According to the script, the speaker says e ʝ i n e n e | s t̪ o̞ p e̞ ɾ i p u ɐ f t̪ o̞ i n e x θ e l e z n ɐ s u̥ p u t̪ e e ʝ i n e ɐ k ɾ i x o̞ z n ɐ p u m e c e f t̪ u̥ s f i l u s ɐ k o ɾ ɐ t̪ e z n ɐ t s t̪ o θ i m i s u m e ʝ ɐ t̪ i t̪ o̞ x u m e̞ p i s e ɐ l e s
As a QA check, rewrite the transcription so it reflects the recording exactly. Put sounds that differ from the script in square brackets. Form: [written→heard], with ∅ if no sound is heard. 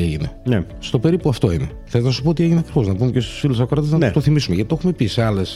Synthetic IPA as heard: e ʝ i n e n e | s t̪ o̞ p e̞ ɾ i p u ɐ f t̪ o̞ i n e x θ e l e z n ɐ s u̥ p [u→o] t̪ [e→i] e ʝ i n e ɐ k ɾ i x o̞ z n ɐ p u m e c e [f→s] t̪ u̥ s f i l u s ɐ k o ɾ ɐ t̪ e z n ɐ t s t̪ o θ i m i s u m e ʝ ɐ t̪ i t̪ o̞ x u m e̞ p i s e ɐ l e s